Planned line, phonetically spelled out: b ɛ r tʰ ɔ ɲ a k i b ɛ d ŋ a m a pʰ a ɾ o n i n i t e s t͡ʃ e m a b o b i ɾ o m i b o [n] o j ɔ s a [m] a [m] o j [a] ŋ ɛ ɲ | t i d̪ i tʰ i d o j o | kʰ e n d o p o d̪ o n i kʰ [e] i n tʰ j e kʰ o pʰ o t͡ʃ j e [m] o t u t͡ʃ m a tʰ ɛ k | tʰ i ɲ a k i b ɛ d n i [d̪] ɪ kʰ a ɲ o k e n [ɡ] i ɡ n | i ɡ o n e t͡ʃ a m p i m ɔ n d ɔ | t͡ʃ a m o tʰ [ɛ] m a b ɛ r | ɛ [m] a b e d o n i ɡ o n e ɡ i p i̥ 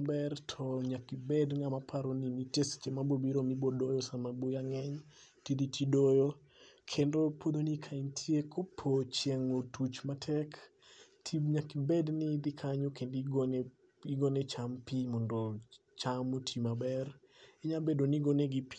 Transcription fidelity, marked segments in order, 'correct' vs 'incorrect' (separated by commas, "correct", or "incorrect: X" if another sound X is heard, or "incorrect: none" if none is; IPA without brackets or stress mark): incorrect: d, correct, incorrect: b, correct, incorrect: a, incorrect: ŋ, correct, incorrect: d, incorrect: i, incorrect: ɲ